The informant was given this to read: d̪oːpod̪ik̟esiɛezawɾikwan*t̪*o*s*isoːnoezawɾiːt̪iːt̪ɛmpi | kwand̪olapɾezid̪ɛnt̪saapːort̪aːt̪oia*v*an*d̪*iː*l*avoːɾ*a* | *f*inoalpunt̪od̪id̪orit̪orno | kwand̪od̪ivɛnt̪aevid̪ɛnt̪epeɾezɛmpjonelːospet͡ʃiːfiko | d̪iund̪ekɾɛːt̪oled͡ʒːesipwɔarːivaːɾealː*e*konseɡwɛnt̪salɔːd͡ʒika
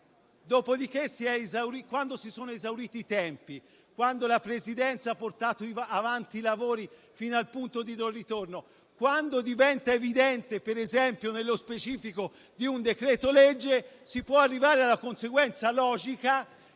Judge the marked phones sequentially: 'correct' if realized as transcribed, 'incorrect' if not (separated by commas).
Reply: incorrect, correct, correct, incorrect, correct, incorrect, correct, incorrect